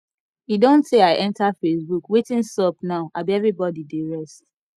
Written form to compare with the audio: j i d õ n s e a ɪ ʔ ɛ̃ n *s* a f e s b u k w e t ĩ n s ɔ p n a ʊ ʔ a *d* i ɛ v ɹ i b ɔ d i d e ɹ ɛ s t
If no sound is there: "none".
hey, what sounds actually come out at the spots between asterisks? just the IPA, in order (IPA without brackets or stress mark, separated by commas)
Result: t, b